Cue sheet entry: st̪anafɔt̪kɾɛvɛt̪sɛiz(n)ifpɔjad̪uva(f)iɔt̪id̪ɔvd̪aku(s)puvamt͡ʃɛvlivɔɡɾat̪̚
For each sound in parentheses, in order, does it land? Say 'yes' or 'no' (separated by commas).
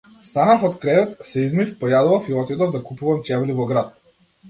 no, yes, no